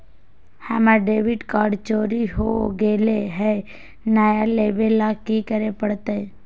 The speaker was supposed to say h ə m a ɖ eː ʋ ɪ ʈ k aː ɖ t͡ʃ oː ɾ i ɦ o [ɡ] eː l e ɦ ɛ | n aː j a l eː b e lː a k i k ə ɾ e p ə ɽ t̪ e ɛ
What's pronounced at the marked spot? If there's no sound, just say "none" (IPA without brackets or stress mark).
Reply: ɡ